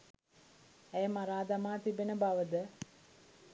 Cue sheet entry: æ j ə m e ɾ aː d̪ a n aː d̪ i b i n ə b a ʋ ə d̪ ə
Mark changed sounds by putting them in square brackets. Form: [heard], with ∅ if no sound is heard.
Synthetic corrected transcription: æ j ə m [a] ɾ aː d̪ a [m] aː [t̪] i b [e] n ə b a ʋ ə d̪ ə